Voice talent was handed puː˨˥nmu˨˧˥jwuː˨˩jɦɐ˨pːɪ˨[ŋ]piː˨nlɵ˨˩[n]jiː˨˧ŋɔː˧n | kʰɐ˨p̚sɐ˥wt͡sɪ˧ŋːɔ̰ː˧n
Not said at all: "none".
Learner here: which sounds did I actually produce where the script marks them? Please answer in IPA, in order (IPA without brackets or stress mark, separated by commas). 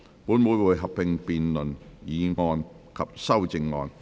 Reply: ŋ, n